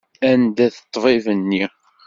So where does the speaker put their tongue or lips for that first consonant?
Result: tongue tip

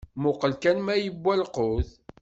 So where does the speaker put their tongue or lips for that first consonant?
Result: lips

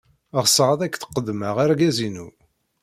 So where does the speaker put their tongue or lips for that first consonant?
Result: uvula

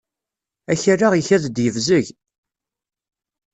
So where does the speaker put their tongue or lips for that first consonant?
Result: palate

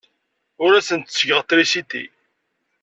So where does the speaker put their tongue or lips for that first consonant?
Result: tongue tip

